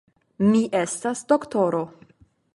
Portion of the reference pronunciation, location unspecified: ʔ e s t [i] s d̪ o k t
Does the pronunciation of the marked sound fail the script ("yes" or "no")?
yes